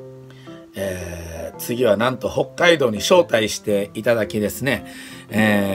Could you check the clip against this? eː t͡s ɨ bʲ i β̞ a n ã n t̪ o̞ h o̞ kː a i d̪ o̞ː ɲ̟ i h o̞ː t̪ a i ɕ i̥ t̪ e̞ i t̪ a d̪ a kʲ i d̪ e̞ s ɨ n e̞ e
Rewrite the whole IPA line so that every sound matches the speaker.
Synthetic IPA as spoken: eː t͡s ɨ ɡʲ i β̞ a n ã n t̪ o̞ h o̞ kː a i d̪ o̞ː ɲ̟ i ɕ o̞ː t̪ a i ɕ i̥ t̪ e̞ i t̪ a d̪ a kʲ i d̪ e̞ s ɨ n e̞ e

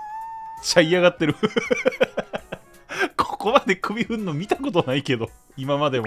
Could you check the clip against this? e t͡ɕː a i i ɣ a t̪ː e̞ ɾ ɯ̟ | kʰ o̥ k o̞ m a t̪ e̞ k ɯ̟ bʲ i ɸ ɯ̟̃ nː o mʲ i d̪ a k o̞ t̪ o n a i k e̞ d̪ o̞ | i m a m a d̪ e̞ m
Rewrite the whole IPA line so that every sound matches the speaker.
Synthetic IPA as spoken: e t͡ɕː a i a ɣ a t̪ː e̞ ɾ ɯ̟ | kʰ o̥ k o̞ m a d̪ e̞ k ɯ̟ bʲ i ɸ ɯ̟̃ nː o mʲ i t̪ a k o̞ t̪ o n a i k e̞ d̪ o̞ | i m a m a d̪ e̞ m

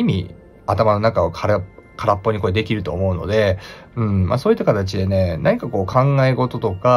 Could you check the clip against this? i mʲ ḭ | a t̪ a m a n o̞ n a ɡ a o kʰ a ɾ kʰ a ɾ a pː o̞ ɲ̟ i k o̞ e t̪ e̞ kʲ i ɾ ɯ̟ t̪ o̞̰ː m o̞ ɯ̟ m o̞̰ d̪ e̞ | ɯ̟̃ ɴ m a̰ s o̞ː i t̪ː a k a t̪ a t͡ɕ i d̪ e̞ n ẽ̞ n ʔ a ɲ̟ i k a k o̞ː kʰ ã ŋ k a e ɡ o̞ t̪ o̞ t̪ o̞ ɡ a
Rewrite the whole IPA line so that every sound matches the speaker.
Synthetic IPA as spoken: i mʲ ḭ | a t̪ a m a n o̞ n a k a o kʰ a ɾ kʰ a ɾ a pː o̞ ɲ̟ i k o̞ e d̪ e̞ kʲ i ɾ ɯ̟ t̪ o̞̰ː m o̞ ɯ̟ n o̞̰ d̪ e̞ | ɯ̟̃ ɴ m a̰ s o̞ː i t̪ː a k a t̪ a t͡ɕ i d̪ e̞ n e̞ n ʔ a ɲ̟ i k a k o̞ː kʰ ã ŋ ɡ a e ɡ o̞ t̪ o̞ t̪ o̞ k a

